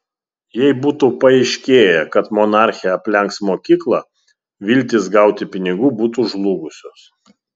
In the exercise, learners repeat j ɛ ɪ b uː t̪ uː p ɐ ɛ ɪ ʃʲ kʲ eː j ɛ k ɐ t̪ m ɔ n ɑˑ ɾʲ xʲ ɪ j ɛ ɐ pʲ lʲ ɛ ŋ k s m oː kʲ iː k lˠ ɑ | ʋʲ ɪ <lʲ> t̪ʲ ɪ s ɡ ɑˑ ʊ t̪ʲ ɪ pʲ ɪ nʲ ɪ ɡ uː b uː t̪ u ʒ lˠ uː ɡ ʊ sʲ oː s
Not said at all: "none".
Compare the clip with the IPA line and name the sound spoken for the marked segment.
lʲ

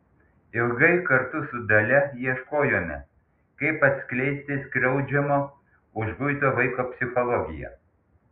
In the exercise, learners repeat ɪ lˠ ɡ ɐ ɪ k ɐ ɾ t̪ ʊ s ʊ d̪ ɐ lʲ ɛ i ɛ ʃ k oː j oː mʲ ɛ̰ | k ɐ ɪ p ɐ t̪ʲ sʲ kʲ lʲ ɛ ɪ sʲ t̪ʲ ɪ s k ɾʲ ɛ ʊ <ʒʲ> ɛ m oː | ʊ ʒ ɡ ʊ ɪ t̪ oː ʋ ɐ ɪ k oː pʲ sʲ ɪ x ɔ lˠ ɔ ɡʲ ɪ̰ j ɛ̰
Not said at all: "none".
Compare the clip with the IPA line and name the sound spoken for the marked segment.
d͡ʒʲ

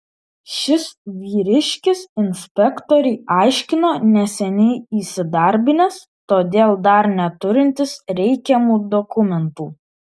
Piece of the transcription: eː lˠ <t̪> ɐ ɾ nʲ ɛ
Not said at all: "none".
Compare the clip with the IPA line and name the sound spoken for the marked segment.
d̪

